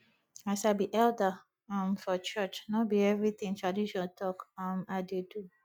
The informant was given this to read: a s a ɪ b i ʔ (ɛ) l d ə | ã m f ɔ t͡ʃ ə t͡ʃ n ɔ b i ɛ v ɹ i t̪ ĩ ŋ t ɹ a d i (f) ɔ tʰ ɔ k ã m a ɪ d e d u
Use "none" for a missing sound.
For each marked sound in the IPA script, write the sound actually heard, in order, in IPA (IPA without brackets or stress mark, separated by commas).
ɛ, ʃ